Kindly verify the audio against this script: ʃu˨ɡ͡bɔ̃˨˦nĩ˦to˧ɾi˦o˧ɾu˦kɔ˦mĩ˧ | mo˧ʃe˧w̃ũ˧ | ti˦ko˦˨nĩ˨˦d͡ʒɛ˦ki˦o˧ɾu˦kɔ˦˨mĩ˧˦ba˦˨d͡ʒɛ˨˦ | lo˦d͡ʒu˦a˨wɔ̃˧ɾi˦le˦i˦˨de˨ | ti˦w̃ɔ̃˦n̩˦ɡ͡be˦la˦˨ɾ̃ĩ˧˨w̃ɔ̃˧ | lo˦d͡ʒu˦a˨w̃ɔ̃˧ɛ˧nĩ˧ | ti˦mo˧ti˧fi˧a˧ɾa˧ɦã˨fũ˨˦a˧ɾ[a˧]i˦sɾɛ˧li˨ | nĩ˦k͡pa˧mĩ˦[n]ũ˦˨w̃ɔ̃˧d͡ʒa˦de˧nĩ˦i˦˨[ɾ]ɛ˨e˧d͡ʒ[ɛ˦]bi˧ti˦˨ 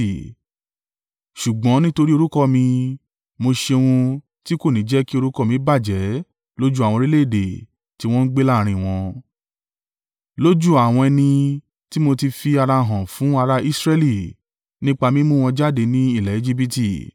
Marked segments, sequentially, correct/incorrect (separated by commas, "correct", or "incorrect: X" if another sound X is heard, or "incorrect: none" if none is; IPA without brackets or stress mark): correct, incorrect: m, incorrect: l, incorrect: i˦